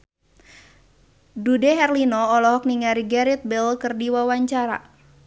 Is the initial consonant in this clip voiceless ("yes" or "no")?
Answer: no